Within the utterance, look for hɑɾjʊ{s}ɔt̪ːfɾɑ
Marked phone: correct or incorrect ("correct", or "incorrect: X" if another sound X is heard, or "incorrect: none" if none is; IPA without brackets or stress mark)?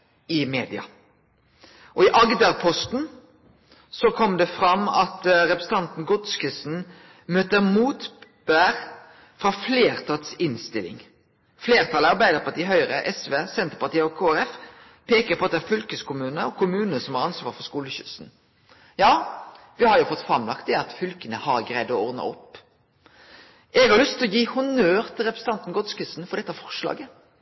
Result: incorrect: f